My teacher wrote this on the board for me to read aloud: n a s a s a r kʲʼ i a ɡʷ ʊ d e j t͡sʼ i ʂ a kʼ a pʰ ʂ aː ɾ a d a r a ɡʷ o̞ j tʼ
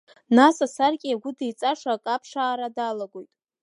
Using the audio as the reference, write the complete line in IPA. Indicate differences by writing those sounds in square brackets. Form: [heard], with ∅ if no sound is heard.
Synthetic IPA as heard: n a s a s a r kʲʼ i a ɡʷ ʊ d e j t͡sʼ [a] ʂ a kʼ a pʰ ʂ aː ɾ a d a [l] a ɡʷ o̞ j tʼ

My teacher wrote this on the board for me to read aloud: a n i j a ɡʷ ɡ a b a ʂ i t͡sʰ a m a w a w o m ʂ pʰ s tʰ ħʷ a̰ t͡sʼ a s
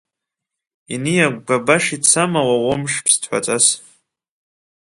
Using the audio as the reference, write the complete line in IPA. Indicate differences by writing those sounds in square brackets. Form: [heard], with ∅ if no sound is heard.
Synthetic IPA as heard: [i] n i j a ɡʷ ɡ a b a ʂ i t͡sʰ a m a w a w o m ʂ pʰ s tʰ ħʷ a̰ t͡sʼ a s

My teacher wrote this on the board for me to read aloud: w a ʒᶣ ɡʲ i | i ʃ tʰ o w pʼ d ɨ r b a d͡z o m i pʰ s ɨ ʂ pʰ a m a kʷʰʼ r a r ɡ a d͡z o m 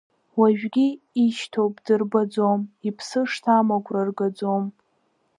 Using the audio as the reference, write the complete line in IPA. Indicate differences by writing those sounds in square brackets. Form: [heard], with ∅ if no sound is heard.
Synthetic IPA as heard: w a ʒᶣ ɡʲ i | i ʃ tʰ o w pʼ d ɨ r b a d͡z o m i pʰ s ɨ ʂ [tʰ] a m a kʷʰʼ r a r ɡ a d͡z o m

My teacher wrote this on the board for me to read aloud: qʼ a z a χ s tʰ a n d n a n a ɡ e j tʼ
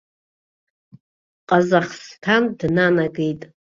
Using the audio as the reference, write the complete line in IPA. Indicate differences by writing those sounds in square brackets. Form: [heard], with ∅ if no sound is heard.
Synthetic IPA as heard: qʼ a z a χ s tʰ a n d n a n a ɡ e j tʼ

